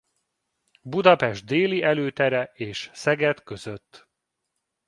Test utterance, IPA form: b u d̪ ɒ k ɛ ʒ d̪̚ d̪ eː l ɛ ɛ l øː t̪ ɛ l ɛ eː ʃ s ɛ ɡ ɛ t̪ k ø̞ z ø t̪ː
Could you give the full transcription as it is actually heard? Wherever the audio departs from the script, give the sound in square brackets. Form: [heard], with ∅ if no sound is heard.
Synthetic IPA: b u d̪ ɒ [p] ɛ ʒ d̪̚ d̪ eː l [i] ɛ l øː t̪ ɛ [ɾ] ɛ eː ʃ s ɛ ɡ ɛ t̪ k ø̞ z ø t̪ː